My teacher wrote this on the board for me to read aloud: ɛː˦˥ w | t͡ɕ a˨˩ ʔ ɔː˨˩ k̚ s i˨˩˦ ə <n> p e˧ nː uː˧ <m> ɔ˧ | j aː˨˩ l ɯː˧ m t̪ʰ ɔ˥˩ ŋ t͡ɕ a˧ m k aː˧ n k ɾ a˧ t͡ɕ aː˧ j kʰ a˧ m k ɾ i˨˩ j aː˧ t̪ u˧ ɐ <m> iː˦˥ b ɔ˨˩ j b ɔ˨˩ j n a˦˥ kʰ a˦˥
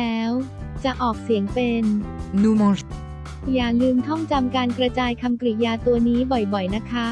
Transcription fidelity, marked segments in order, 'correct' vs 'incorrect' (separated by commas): incorrect, correct, incorrect